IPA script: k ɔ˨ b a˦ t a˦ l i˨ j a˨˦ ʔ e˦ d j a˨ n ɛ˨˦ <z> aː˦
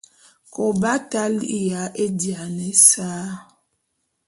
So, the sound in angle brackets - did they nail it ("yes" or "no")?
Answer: no